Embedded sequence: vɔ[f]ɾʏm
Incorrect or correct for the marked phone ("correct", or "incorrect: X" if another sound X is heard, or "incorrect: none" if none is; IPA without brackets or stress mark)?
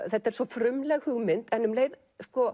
correct